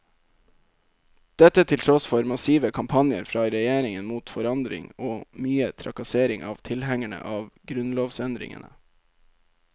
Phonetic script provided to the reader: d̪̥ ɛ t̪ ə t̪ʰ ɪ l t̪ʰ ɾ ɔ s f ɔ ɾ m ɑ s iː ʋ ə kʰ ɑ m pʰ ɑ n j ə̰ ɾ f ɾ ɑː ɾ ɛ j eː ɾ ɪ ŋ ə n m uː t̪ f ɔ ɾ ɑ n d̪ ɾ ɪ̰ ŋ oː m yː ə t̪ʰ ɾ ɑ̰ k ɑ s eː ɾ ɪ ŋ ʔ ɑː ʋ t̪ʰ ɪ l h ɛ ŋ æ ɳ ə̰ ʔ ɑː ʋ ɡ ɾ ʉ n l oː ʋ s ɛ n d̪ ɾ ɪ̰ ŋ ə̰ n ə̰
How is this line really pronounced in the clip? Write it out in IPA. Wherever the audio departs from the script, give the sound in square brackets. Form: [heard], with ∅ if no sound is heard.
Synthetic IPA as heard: d̪̥ ɛ t̪ ə t̪ʰ ɪ l t̪ʰ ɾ ɔ s f ɔ ɾ m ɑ s iː ʋ ə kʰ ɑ m pʰ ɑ n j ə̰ ɾ f ɾ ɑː ɾ ɛ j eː ɾ ɪ ŋ ə n m uː t̪ f ɔ ɾ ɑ n d̪ ɾ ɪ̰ ŋ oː m yː ə t̪ʰ ɾ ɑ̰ k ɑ s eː ɾ ɪ ŋ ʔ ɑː ʋ t̪ʰ ɪ l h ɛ ŋ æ ɳ ə̰ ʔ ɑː ʋ ɡ ɾ ʉ n l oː ʋ s ɛ n d̪ ɾ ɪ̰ ŋ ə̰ n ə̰